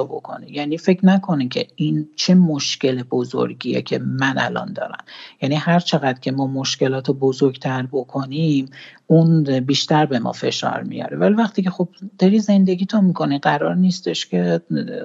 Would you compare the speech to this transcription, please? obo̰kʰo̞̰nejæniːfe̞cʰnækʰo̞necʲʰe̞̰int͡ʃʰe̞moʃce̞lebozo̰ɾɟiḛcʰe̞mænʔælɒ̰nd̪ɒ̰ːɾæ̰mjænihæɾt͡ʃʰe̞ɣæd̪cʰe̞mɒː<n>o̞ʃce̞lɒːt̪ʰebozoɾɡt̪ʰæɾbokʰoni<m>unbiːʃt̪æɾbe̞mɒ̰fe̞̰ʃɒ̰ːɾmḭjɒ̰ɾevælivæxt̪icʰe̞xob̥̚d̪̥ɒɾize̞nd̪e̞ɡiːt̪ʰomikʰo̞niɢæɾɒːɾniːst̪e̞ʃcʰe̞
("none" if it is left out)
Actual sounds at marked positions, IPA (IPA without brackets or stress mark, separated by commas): m, m